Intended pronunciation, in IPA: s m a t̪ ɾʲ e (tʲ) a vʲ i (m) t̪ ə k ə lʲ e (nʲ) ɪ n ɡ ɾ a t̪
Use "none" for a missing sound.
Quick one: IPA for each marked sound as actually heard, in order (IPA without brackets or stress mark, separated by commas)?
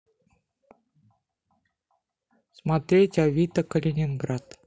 tʲ, none, nʲ